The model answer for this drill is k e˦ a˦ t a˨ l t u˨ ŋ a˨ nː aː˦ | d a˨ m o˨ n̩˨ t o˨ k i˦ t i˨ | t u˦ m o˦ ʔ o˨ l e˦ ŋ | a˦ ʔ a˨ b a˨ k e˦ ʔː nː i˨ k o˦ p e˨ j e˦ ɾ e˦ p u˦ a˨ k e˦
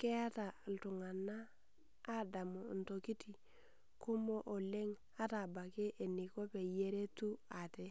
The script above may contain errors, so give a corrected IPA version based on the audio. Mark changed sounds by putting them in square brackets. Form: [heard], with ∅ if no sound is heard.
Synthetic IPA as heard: k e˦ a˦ t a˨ l t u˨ ŋ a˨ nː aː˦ | d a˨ m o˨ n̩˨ t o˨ k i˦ t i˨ | [k] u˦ m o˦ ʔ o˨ l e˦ ŋ | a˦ [t] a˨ b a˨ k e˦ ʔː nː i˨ k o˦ p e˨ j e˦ ɾ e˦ [t] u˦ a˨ [t] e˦